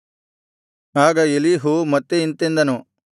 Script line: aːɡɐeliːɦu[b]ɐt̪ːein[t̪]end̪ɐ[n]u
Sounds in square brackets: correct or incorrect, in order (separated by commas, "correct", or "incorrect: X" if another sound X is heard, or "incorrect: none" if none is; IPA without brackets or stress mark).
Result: incorrect: m, correct, correct